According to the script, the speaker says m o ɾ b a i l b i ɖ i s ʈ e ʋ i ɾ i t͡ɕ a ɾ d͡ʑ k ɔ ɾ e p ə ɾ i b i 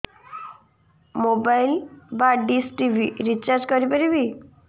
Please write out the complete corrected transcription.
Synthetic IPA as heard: m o b a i l b a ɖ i s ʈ i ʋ i ɾ i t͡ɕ a ɾ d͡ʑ k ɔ ɾ i p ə ɾ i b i